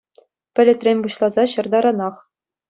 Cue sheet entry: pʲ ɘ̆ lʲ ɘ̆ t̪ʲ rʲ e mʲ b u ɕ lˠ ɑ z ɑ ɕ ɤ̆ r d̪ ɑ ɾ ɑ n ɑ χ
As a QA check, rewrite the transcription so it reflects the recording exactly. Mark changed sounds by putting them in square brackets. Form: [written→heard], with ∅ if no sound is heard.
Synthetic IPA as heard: pʲ ɘ̆ lʲ ɘ̆ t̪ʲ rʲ e mʲ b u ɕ lˠ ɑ z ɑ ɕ ɤ̆ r d̪ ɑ ɾ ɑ n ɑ χ